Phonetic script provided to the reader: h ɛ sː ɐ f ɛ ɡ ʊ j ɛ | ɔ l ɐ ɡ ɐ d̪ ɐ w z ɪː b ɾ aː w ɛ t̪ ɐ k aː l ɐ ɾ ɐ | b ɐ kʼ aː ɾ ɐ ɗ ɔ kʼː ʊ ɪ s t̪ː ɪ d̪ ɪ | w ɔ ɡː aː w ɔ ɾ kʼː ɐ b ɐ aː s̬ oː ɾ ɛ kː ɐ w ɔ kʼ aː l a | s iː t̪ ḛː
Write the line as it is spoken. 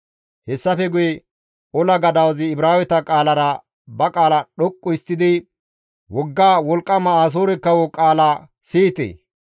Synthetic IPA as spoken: h ɛ sː ɐ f ɛ ɡ ʊ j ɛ | ɔ l ɐ ɡ ɐ d̪ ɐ w z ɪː b ɾ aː w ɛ t̪ ɐ kʼ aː l ɐ ɾ ɐ | b ɐ kʼ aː l ɐ ɗ ɔ kʼː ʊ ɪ s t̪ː ɪ d̪ ɪ | w ɔ ɡː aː w ɔ l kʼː ɐ m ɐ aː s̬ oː ɾ ɛ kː ɐ w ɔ kʼ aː l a | s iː t̪ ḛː